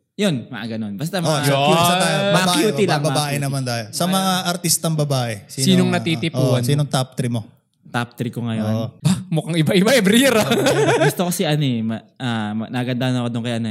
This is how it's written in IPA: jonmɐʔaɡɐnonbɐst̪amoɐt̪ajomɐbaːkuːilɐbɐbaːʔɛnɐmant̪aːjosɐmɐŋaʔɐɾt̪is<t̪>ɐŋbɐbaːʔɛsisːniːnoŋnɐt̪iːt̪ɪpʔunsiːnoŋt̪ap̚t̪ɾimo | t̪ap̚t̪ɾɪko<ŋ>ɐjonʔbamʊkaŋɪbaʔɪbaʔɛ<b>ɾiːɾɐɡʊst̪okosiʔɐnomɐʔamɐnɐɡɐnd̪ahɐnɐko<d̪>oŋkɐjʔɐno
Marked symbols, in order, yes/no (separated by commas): yes, yes, yes, yes